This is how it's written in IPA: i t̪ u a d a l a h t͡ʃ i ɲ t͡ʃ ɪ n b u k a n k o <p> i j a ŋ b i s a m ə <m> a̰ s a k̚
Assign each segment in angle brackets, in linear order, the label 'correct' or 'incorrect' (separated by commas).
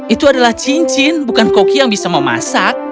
incorrect, correct